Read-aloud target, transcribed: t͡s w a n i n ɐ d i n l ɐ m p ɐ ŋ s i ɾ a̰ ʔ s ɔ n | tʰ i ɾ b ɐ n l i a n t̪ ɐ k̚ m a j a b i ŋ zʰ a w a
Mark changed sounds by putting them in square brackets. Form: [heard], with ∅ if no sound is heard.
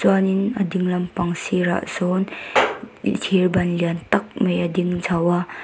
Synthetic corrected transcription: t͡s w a n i n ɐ d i [ŋ] l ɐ m p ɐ ŋ s i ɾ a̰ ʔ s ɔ n | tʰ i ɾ b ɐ n l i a n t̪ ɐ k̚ m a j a [d] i ŋ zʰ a w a